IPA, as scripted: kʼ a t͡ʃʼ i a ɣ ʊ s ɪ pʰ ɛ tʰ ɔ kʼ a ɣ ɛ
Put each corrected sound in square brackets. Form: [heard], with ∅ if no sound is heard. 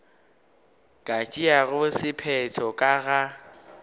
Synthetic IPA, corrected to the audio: kʼ a t͡ʃʼ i a ɣ ʊ s ɪ pʰ ɛ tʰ ɔ kʼ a ɣ [a]